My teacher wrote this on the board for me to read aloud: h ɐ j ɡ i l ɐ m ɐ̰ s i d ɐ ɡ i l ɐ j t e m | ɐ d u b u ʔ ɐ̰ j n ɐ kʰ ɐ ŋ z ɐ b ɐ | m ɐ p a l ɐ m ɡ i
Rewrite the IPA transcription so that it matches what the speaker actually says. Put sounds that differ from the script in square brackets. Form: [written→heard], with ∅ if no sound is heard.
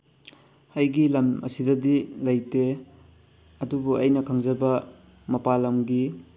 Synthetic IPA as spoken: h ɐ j ɡ i l ɐ m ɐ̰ s i d ɐ [ɡ→d] i l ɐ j t e [m→∅] | ɐ d u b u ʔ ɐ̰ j n ɐ kʰ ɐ ŋ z ɐ b ɐ | m ɐ p a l ɐ m ɡ i

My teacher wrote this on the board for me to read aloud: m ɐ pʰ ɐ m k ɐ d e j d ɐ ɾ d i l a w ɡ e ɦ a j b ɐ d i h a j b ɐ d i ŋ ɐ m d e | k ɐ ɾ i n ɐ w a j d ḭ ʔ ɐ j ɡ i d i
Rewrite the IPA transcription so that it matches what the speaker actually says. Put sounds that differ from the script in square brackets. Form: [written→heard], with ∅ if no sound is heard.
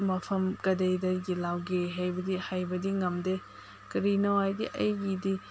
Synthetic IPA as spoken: m ɐ pʰ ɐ m k ɐ d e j d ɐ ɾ [d→ɡ] i l a w ɡ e ɦ a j b ɐ d i h a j b ɐ d i ŋ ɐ m d e | k ɐ ɾ i n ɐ w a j d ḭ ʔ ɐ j ɡ i d i

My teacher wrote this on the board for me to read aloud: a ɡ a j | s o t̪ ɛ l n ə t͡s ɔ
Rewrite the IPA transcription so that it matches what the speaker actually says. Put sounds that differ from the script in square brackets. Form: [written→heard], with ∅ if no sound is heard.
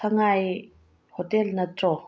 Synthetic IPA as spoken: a [ɡ→ŋ] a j | [s→h] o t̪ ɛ l n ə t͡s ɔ

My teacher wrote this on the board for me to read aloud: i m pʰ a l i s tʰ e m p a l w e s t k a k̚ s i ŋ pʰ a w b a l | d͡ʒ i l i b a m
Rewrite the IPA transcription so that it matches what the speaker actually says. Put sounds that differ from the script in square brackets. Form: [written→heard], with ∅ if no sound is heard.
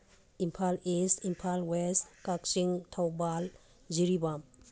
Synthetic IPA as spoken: i m pʰ a l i s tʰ [e→i] m [p→pʰ] a l w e s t k a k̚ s i ŋ [pʰ→tʰ] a w b a l | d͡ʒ i [l→ɾ] i b a m

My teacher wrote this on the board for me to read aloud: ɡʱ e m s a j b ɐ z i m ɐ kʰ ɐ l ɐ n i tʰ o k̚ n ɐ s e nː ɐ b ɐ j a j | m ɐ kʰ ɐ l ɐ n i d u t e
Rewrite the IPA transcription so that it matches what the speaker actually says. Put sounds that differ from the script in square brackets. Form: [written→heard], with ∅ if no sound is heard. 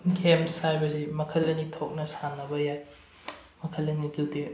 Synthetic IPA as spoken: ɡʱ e m s a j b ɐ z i m ɐ kʰ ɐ l ɐ n i tʰ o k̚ n ɐ s [e→a] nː ɐ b ɐ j a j | m ɐ kʰ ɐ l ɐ n i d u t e

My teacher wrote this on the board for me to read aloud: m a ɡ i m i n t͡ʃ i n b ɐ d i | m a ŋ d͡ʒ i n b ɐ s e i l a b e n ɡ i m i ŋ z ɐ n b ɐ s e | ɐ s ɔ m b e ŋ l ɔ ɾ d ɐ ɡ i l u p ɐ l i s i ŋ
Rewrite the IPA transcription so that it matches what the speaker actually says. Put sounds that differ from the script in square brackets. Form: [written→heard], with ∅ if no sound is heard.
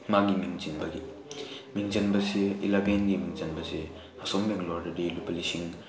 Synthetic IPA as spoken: m a ɡ i m i [n→ŋ] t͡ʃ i n b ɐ [d→ɡ] i | m [a→i] ŋ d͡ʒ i n b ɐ s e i l a b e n ɡ i m i ŋ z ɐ n b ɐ s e | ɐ s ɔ m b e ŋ l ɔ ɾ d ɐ [ɡ→d] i l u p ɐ l i s i ŋ

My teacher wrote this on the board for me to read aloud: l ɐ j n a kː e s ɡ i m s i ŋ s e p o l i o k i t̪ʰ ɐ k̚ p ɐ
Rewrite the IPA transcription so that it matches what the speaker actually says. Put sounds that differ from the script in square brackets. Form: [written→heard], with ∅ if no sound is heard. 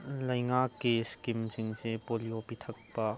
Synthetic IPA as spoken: l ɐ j [n→ŋ] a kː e s [ɡ→k] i m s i ŋ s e p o l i o [k→p] i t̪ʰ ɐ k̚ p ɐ

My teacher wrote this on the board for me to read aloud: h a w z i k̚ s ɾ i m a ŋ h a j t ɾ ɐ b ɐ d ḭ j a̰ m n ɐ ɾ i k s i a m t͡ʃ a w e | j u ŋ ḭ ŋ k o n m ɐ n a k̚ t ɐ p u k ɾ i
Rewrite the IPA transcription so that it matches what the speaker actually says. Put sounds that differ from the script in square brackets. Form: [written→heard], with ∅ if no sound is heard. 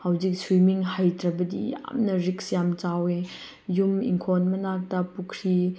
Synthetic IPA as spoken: h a w z i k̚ s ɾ i m [a→i] ŋ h a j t ɾ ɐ b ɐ d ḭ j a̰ m n ɐ ɾ i k s [i→j] a m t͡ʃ a w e | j u [ŋ→m] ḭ ŋ [k→kʰ] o n m ɐ n a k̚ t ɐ p u [k→kʰ] ɾ i

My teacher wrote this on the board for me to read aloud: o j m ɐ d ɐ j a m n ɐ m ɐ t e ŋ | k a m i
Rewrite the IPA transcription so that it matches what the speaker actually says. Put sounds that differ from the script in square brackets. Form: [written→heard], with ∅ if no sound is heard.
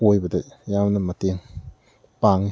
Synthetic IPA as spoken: o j [m→b] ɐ d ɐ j a m n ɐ m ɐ t e ŋ | [k→p] a [m→ŋ] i

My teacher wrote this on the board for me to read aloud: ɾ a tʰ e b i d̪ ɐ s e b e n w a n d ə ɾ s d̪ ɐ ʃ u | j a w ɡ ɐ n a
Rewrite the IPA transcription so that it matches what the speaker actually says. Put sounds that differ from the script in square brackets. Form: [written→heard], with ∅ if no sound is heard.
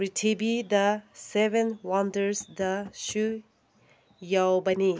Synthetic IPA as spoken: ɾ [a→i] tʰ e b i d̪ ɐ s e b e n w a n d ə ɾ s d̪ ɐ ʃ u | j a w [ɡ→b] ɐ n [a→i]

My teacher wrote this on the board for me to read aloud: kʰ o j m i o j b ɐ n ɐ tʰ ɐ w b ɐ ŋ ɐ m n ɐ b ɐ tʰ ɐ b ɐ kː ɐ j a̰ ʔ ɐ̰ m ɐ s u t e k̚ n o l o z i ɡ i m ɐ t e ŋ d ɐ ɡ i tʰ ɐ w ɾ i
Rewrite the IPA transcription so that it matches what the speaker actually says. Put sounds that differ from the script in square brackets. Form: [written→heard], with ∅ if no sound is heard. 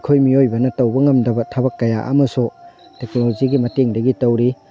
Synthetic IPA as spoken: kʰ o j m i o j b ɐ n ɐ [tʰ→t] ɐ w b ɐ ŋ ɐ m [n→d] ɐ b ɐ tʰ ɐ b ɐ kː ɐ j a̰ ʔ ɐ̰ m ɐ s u t e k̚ n o l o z i ɡ i m ɐ t e ŋ d ɐ ɡ i [tʰ→t] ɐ w ɾ i

